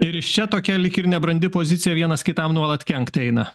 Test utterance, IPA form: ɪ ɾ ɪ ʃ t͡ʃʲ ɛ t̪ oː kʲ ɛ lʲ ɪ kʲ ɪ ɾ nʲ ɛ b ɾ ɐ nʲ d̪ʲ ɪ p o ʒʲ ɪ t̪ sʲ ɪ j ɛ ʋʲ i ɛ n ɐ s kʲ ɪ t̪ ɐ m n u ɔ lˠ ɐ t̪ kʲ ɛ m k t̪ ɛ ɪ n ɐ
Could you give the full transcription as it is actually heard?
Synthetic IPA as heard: ɪ ɾ ɪ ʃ t͡ʃʲ ɛ t̪ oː kʲ ɛ lʲ ɪ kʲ ɪ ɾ nʲ ɛ b ɾ ɐ nʲ d̪ʲ ɪ p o zʲ ɪ t̪ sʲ ɪ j ɛ ʋʲ i ɛ n ɐ s kʲ ɪ t̪ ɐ m n u ɔ lˠ ɐ t̪ kʲ ɛ ŋ k t̪ ɛ ɪ n ɐ